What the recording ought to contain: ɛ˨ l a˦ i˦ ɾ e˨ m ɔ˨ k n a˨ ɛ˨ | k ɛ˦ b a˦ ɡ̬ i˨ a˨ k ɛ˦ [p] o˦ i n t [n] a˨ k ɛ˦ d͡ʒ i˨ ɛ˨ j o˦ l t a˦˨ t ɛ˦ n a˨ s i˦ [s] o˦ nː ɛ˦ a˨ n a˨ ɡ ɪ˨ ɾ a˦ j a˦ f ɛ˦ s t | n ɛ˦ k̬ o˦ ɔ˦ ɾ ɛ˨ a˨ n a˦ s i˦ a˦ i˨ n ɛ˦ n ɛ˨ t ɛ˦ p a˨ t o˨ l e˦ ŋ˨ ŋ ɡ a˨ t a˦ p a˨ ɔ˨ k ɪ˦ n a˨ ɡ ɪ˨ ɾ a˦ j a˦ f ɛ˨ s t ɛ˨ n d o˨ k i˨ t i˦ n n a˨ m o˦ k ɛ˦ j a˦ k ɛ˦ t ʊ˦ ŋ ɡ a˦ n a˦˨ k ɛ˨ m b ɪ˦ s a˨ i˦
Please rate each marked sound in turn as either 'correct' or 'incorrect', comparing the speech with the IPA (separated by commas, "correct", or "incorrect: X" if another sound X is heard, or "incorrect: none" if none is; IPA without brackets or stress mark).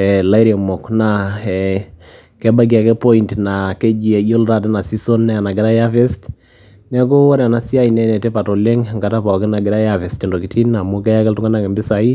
correct, correct, correct